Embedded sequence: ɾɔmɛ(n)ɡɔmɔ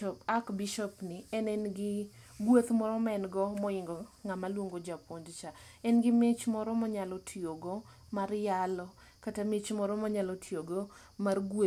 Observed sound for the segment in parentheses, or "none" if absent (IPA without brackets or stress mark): n